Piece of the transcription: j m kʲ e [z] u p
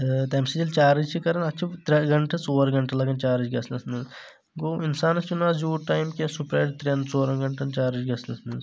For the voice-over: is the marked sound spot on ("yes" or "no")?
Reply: no